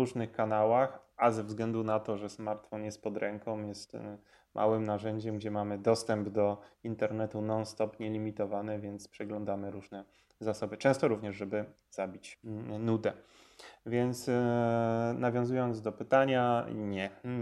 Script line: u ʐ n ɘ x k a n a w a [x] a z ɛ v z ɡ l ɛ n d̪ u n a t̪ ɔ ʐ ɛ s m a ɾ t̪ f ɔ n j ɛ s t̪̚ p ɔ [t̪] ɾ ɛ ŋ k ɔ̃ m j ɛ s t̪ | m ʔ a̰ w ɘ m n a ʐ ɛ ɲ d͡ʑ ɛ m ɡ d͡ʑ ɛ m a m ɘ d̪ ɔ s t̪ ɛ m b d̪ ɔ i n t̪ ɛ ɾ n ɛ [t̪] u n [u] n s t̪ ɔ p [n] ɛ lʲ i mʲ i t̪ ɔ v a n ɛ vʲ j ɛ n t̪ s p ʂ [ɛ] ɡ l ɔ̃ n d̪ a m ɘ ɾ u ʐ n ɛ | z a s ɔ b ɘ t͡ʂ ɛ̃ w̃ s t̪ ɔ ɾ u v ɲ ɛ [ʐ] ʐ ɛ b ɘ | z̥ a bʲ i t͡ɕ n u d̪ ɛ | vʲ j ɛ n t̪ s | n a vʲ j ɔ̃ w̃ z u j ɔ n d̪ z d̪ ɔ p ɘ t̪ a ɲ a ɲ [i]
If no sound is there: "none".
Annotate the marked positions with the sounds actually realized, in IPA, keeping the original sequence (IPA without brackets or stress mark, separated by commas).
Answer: x, d̪, t̪, ɔ, ɲ, ɛ, ʐ, ɛ